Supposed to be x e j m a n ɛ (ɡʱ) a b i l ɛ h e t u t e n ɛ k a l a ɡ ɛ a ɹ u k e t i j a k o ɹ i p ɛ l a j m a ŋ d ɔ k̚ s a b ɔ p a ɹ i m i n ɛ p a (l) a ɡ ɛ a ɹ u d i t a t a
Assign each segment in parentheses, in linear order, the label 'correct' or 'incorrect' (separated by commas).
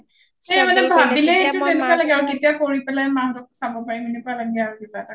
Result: incorrect, correct